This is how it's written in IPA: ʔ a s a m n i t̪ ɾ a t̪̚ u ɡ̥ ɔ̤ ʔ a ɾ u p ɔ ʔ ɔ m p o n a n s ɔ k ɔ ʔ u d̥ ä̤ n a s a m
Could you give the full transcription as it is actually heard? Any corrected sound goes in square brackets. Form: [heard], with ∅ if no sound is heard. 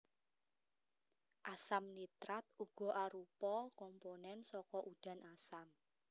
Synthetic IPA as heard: ʔ a s a m n i t̪ ɾ a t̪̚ u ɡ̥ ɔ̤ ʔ a ɾ u p ɔ [k] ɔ m p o n [ɛ] n s ɔ k ɔ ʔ u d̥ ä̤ n a s a m

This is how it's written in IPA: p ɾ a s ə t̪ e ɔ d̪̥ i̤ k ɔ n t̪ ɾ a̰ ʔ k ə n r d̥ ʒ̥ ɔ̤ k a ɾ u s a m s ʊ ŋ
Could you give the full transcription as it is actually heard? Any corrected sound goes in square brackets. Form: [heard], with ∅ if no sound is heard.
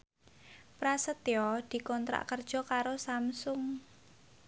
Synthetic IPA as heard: p ɾ a s ə t̪ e ɔ d̪̥ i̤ k ɔ n t̪ ɾ a̰ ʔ k ə [∅] r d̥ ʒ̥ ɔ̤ k a ɾ [o] s a m s ʊ ŋ

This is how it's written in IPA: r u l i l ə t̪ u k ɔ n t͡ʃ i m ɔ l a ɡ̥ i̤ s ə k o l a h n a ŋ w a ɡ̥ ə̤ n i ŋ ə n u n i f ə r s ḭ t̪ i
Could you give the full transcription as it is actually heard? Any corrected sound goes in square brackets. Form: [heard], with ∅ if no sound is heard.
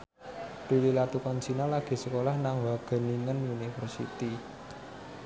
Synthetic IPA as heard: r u l i l [a] t̪ u k ɔ n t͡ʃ i [n] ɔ l a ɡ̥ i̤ s ə k o l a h n a ŋ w a ɡ̥ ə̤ n i ŋ ə n u n i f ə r s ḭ t̪ i

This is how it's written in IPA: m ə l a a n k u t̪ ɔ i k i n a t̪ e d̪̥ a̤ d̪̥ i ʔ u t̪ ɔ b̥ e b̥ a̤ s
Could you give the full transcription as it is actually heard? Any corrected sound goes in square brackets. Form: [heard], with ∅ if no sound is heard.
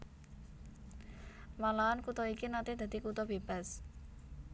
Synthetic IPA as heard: m [a] l a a n k u t̪ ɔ i k i n a t̪ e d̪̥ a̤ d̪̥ i [k] u t̪ ɔ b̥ e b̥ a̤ s

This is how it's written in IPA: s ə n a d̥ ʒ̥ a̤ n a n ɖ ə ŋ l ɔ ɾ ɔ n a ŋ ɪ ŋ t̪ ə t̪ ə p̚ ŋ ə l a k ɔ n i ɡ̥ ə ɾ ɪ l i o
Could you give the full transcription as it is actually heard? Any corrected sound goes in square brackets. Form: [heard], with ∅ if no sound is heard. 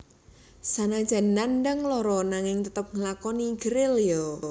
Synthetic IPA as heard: s [a] n a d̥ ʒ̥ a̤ n a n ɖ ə ŋ l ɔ ɾ ɔ n a ŋ ɪ ŋ t̪ ə t̪ ə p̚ ŋ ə l a k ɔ n i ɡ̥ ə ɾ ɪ l [j] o

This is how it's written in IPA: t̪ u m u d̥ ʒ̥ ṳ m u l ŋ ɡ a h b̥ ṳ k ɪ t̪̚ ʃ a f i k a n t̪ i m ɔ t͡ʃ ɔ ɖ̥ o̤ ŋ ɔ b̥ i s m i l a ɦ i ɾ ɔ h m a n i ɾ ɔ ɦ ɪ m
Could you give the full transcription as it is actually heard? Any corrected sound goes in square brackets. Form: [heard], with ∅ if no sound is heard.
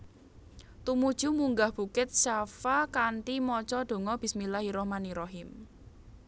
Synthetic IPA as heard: t̪ u m u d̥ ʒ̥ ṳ m u [∅] ŋ ɡ a h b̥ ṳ k ɪ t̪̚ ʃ a f [a] k a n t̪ i m ɔ t͡ʃ ɔ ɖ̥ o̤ ŋ ɔ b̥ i s m i l a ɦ i ɾ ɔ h m a n i ɾ ɔ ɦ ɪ m

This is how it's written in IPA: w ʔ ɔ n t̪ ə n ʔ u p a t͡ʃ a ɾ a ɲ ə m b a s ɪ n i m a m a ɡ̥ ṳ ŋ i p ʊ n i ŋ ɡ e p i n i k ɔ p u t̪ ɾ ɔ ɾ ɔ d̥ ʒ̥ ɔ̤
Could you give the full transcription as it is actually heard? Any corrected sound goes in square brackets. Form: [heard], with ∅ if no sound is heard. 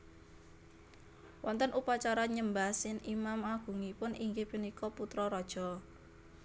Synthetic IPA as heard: w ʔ ɔ n t̪ ə n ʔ u p a t͡ʃ a ɾ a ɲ ə m b a s ɪ n i m a m a ɡ̥ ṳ ŋ i p ʊ n i ŋ ɡ e p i n i k ɔ p u t̪ ɾ ɔ ɾ ɔ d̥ ʒ̥ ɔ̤

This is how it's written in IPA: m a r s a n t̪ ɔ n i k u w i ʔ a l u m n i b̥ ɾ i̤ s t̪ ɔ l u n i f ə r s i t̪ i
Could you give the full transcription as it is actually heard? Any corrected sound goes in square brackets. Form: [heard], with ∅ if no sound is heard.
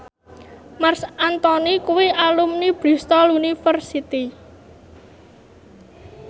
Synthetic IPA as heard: m a r s a n t̪ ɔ n i k u w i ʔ a l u m n i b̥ ɾ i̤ s t̪ ɔ l u n i f ə r s i t̪ i

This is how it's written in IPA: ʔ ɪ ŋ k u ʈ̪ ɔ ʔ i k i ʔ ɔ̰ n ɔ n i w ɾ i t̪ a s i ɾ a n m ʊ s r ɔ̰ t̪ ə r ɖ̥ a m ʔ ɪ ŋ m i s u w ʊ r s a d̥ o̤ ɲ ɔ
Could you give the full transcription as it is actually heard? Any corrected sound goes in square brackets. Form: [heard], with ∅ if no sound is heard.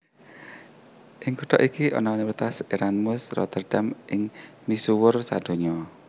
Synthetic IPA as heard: ʔ ɪ ŋ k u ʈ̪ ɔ ʔ i k i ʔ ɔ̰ n ɔ n i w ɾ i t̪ a s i ɾ a n m ʊ s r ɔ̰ t̪ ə r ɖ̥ a m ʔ ɪ ŋ m i s u w ʊ r s a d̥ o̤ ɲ ɔ

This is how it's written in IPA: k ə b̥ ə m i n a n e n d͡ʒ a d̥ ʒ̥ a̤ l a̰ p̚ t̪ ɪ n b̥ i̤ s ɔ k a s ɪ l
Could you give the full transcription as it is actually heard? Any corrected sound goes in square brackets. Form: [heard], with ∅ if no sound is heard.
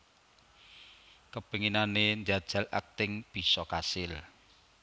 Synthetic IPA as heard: k ə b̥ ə [ŋ] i n a n e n d͡ʒ a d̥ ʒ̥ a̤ l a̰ [k̚] t̪ ɪ [ŋ] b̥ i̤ s ɔ k a s ɪ l

